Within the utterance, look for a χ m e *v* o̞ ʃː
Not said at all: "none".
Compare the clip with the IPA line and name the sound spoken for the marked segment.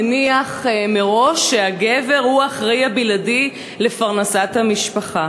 ʁ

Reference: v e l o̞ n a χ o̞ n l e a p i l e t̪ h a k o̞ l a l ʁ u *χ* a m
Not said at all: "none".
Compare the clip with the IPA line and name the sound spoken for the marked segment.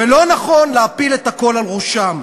ʃ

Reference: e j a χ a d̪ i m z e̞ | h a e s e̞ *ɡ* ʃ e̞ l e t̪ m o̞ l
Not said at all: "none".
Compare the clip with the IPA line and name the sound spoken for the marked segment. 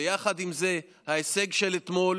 ɡ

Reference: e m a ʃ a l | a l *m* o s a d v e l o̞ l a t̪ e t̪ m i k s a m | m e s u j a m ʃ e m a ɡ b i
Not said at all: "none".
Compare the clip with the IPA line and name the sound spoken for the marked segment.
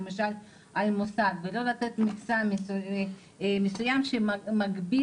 m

